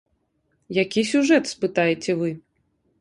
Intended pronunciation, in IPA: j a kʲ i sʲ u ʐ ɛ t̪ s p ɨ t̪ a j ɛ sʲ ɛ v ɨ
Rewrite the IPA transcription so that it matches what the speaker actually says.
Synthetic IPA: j a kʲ i sʲ u ʐ ɛ t̪ s p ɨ t̪ a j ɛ t͡sʲ ɛ v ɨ